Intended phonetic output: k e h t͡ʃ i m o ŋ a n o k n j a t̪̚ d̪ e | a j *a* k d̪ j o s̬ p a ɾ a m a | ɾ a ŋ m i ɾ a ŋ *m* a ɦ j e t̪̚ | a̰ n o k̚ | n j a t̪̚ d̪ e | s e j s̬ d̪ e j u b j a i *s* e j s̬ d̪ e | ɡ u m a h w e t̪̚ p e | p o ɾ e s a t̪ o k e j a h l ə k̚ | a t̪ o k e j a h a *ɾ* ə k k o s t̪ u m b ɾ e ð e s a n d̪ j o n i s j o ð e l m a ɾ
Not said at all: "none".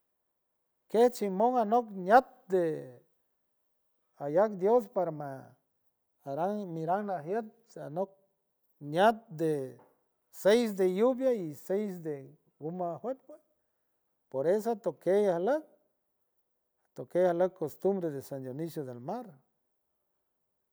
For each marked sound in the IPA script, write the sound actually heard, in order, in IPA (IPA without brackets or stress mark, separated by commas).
a, n, s, l